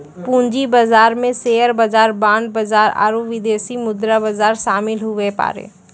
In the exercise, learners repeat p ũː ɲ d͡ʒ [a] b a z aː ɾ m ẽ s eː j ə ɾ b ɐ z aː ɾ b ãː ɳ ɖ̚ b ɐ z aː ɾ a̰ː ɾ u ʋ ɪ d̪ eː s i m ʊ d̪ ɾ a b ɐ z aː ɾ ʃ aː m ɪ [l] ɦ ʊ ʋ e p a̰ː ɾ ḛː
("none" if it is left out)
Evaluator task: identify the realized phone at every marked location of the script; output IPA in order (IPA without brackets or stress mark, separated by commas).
i, l